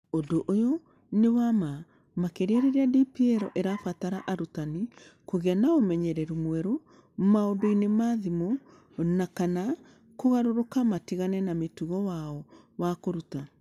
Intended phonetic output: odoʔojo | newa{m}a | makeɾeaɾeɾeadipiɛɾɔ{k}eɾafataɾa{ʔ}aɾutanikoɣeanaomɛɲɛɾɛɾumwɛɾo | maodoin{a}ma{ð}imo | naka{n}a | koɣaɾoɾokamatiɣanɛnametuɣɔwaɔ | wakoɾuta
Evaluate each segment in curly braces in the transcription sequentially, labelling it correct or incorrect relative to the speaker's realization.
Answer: correct, incorrect: ʔ, correct, incorrect: e, correct, correct

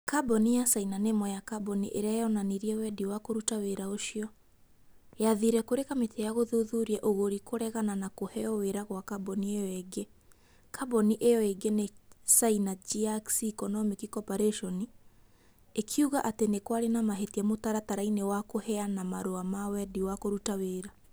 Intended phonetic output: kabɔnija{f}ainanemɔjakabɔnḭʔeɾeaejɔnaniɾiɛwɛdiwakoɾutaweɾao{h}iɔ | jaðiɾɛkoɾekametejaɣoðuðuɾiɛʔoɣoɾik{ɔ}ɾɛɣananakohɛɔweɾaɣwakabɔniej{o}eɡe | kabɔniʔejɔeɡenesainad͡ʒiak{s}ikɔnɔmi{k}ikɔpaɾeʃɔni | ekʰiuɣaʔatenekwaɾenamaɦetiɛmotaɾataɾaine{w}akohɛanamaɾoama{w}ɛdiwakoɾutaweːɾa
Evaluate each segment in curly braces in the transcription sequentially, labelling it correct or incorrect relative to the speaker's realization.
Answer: incorrect: s, incorrect: ʃ, incorrect: o, incorrect: ɔ, correct, correct, correct, correct

